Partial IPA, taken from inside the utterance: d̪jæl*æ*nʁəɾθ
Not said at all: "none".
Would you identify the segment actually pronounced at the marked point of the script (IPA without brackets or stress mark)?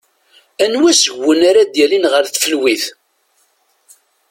i